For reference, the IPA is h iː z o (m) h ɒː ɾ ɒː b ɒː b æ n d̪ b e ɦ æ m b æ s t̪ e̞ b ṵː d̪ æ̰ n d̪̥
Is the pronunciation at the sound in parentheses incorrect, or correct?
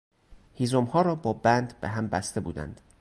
correct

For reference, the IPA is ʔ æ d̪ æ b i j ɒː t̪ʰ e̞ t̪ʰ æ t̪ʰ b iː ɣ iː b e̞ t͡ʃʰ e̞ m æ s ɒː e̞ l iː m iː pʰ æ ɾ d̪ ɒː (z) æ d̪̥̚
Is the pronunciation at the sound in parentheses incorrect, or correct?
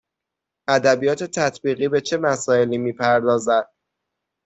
correct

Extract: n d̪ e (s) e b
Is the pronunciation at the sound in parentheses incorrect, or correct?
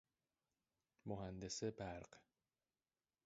correct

